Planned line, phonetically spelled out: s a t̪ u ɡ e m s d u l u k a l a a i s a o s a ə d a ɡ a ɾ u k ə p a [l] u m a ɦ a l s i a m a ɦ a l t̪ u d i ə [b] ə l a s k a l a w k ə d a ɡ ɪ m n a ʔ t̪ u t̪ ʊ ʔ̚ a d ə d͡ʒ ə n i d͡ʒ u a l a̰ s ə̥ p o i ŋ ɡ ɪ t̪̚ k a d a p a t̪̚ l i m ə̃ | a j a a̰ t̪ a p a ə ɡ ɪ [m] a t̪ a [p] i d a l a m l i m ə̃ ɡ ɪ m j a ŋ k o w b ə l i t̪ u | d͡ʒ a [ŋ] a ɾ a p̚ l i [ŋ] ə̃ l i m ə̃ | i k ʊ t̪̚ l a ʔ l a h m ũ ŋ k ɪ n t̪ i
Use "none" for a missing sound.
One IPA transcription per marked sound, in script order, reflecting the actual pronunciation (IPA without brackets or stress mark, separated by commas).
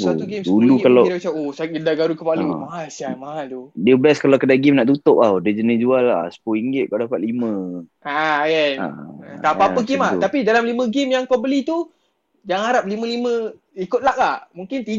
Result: l, b, m, p, ŋ, m